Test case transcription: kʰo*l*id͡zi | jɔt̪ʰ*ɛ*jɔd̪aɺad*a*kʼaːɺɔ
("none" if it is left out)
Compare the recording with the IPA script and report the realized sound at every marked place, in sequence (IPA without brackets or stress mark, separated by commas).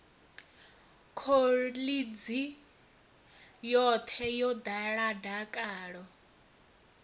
l, ɛ, a